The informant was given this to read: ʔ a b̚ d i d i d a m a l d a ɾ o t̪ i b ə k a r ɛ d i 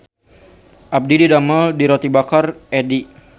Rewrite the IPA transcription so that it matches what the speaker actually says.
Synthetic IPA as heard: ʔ a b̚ d i d i d a m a l d i ɾ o t̪ i b a k a r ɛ d i